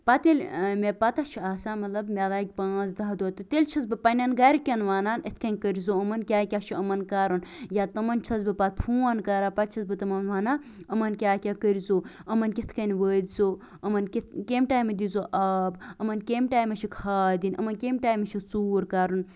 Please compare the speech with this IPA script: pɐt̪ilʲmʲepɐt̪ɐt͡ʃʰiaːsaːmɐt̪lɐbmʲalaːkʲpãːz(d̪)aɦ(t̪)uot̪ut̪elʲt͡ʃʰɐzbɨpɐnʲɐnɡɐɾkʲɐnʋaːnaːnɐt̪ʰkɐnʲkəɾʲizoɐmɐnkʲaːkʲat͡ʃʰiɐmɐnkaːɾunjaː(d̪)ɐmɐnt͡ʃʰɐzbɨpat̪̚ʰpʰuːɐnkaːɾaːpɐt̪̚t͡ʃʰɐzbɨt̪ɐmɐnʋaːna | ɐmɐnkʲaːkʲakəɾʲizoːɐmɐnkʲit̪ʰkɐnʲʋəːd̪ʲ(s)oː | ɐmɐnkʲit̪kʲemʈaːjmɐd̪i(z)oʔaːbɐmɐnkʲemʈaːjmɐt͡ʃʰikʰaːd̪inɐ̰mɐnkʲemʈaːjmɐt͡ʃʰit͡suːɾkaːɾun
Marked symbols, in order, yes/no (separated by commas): yes, no, no, no, yes